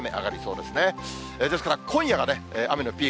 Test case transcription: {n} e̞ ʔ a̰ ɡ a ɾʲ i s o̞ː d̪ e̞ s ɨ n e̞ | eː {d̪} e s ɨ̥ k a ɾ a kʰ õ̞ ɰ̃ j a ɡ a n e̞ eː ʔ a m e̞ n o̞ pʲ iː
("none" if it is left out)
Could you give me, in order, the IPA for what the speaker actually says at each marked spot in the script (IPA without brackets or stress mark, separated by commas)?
m, d̪